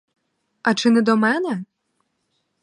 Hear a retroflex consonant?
yes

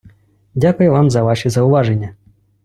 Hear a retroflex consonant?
yes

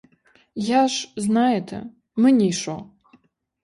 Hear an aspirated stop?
yes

